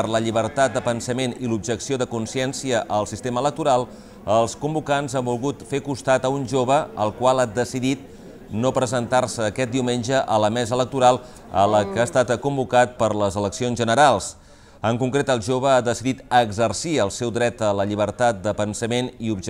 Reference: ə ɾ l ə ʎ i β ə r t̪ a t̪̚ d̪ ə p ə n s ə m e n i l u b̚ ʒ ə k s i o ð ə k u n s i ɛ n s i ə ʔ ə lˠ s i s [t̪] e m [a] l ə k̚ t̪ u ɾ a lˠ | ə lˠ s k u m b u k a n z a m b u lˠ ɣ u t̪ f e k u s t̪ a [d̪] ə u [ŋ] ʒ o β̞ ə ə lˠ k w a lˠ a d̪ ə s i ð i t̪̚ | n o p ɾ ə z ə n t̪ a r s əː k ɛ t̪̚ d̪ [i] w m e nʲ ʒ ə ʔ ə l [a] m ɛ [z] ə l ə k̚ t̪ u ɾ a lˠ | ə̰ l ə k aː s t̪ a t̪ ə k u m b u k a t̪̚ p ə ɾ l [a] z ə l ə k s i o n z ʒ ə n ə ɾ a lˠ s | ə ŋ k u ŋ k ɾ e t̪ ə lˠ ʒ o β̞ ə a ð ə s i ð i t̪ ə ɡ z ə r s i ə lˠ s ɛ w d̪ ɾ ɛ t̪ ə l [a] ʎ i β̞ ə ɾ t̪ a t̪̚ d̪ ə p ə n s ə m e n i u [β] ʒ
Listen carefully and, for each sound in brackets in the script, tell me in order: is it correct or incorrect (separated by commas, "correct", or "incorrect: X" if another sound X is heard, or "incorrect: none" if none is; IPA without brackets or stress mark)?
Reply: correct, incorrect: ə, incorrect: t̪, incorrect: n, correct, incorrect: ə, correct, incorrect: ə, incorrect: ə, incorrect: b